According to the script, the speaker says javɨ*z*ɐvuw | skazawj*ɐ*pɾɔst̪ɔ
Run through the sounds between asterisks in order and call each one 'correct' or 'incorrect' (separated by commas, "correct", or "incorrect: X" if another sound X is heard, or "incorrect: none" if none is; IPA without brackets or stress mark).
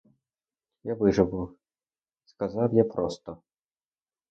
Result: incorrect: ʐ, incorrect: a